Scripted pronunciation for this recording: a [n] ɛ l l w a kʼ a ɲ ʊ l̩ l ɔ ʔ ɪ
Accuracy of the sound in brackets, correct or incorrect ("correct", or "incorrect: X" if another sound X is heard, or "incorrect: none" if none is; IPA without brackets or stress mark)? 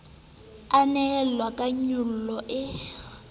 correct